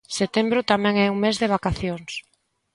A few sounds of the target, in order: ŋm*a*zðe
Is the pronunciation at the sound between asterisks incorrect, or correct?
incorrect